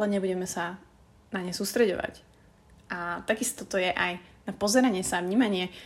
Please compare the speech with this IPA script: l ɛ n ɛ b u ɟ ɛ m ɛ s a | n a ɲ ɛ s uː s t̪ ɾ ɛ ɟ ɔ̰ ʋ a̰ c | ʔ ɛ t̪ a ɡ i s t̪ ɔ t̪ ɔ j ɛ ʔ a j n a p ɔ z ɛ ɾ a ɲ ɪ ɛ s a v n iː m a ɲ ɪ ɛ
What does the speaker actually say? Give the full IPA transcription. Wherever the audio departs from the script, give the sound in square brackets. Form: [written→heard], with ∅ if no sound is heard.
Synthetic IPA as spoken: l ɛ [n→ɲ] ɛ b u ɟ ɛ m ɛ s a | n a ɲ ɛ s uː s t̪ ɾ ɛ ɟ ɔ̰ ʋ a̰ c | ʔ [ɛ→a] t̪ a ɡ i s t̪ ɔ t̪ ɔ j ɛ ʔ a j n a p ɔ z ɛ ɾ a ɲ ɪ ɛ s a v [n→ɲ] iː m a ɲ ɪ ɛ